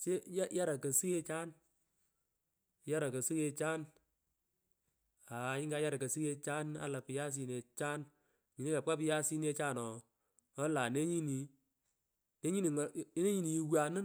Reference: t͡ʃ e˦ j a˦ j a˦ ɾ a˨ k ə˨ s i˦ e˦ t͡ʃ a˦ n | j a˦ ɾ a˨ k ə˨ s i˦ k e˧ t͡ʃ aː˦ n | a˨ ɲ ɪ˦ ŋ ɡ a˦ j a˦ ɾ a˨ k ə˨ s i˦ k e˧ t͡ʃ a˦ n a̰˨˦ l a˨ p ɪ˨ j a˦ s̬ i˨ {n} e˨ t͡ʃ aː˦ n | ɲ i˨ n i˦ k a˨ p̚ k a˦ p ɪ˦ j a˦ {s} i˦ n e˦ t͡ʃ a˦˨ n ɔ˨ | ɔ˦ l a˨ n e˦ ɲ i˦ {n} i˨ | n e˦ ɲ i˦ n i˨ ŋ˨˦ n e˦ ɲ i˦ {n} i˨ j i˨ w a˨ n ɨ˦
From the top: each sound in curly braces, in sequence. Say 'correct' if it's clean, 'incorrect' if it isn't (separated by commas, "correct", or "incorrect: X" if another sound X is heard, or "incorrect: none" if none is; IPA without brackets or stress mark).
correct, correct, correct, correct